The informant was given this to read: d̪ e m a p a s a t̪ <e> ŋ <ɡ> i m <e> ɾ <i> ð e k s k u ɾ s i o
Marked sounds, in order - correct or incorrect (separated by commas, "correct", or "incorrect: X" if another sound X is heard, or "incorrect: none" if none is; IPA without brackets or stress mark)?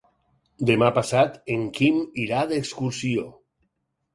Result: correct, incorrect: k, incorrect: i, incorrect: a